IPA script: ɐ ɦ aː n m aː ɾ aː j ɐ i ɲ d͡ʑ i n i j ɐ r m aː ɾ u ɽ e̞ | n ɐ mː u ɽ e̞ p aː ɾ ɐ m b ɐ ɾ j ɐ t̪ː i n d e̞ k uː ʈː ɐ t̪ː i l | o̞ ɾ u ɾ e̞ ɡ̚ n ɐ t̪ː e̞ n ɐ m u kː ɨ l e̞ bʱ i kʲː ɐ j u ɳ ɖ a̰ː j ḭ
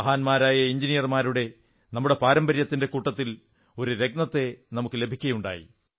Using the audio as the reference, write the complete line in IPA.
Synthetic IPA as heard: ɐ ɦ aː n m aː ɾ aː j ɐ i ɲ d͡ʑ i n i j ɐ r m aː ɾ u ɽ e̞ | n ɐ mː u ɽ e̞ p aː ɾ ɐ m b ɐ ɾ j ɐ t̪ː i n d e̞ k uː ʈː ɐ t̪ː i l | o̞ ɾ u ɾ e̞ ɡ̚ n ɐ t̪ː e̞ n ɐ m u kː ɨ l e̞ bʱ i kʲː ɐ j u ɳ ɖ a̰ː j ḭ